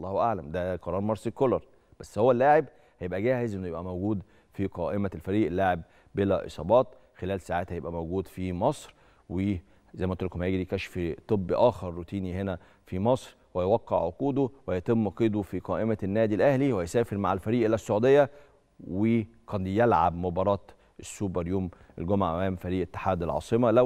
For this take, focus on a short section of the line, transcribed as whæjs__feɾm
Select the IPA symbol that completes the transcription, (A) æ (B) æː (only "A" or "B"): B